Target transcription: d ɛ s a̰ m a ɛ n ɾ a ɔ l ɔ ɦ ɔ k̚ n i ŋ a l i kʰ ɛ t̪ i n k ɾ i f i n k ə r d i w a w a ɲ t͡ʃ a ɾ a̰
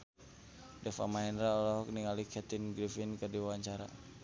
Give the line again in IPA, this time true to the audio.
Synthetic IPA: d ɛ f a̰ m a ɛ n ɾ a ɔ l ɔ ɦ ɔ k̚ n i ŋ a l i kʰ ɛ t̪ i n ɡ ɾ i f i n k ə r d i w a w a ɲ t͡ʃ a ɾ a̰